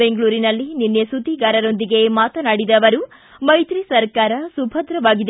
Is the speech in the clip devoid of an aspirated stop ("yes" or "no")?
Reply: yes